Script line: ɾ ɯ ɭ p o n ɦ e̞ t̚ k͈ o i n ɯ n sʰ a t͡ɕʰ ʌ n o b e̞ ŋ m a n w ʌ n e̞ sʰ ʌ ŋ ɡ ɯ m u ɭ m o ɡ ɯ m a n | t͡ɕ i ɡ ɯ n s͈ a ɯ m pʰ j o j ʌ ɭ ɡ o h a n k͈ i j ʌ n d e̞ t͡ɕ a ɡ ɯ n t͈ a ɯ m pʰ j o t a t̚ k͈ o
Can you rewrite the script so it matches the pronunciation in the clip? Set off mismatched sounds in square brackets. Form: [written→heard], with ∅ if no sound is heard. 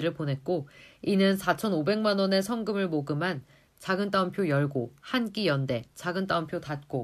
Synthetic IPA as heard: ɾ ɯ ɭ p o n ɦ e̞ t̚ k͈ o i n ɯ n sʰ a t͡ɕʰ ʌ n o b e̞ ŋ m a n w ʌ n e̞ sʰ ʌ ŋ ɡ ɯ m [u→ɯ] ɭ m o ɡ ɯ m a n | t͡ɕ [i→a] ɡ ɯ n [s͈→t͈] a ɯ m pʰ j o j ʌ ɭ ɡ o h a n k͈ i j ʌ n d e̞ t͡ɕ a ɡ ɯ n t͈ a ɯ m pʰ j o t a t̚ k͈ o